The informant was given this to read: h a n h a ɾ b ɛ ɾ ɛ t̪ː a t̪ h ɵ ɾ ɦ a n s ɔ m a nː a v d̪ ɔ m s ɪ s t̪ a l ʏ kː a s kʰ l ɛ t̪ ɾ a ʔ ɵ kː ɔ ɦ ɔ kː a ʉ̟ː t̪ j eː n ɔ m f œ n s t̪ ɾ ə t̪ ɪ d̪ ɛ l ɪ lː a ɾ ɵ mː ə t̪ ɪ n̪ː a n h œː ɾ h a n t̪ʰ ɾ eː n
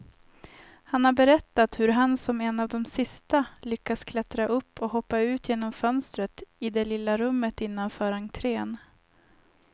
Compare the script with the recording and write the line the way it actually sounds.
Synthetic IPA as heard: h a n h a ɾ b ɛ ɾ ɛ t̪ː a t̪ h ɵ ɾ ɦ a n s ɔ m ɛ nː a v d̪ ɔ m s ɪ s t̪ a l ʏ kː a s kʰ l ɛ t̪ ɾ a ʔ ɵ pː ɔ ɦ ɔ pː a ʉ̟ː t̪ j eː n ɔ m f œ n s t̪ ɾ ə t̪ ɪ d̪ ɛ l ɪ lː a ɾ ɵ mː ə t̪ ɪ n̪ː a n f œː ɾ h a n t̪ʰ ɾ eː n